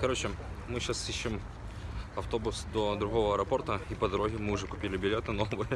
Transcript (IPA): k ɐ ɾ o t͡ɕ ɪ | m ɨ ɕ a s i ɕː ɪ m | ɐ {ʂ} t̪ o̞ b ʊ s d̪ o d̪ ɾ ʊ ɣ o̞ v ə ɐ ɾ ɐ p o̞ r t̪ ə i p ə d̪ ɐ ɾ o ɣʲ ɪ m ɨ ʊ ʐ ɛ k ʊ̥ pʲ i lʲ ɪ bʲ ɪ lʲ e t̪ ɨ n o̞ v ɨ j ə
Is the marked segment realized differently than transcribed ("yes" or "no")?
yes